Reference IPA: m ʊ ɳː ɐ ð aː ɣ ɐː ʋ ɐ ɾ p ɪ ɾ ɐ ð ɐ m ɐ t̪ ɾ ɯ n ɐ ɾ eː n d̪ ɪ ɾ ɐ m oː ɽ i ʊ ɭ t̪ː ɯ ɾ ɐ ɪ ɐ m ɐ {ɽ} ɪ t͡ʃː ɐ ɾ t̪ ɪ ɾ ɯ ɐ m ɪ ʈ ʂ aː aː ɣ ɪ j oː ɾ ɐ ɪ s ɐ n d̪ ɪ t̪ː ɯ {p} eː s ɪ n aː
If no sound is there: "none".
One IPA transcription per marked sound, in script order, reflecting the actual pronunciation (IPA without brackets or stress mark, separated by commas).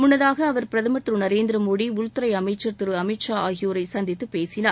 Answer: none, p